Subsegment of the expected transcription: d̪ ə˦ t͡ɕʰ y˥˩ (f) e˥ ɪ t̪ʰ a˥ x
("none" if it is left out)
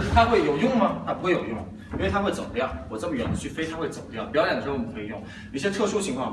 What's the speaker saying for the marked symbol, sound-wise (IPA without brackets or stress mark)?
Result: f